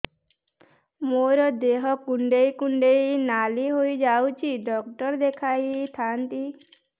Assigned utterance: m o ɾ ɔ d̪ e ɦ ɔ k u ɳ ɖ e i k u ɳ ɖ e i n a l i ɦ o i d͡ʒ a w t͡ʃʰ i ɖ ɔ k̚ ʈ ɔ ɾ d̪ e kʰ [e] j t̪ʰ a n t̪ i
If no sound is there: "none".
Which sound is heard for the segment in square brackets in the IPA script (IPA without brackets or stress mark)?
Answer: a